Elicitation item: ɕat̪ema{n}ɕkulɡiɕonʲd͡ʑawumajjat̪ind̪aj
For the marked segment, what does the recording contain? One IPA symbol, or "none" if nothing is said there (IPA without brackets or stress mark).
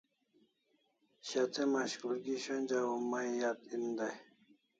none